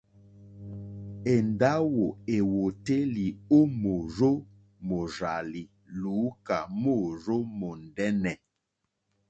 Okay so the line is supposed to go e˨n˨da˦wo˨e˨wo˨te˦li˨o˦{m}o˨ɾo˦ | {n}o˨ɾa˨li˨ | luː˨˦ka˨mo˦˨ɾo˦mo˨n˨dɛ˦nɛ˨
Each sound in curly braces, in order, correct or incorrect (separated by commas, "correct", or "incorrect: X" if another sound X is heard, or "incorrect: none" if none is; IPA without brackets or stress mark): correct, incorrect: m